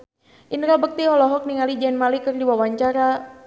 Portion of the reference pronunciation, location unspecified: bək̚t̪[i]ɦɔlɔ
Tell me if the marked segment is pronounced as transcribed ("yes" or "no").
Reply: yes